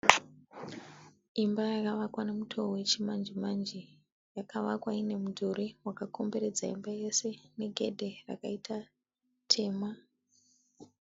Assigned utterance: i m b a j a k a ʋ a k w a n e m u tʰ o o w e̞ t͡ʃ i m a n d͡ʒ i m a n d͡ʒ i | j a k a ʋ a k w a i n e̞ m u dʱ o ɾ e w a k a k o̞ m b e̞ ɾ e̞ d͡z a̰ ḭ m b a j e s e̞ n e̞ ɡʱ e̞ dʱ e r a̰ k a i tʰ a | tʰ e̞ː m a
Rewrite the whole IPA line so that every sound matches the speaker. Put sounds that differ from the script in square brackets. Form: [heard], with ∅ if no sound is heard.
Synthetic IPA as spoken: i m b a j a k a ʋ a k w a n e m u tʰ o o w e̞ t͡ʃ i m a n d͡ʒ i m a n d͡ʒ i | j a k a ʋ a k w a i n e̞ m u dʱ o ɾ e w a k a k o̞ m b e̞ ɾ e̞ d͡z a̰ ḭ m b a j e s e̞ n e̞ ɡʱ e̞ dʱ e r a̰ k a i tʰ a | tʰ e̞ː m a